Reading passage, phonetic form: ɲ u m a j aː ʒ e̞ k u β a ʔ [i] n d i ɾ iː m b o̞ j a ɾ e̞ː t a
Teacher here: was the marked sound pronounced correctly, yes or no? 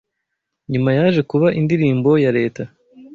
yes